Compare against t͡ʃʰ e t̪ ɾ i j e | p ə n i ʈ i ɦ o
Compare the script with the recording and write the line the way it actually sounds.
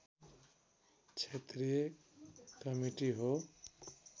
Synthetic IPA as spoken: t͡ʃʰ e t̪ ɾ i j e | k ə m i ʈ i ɦ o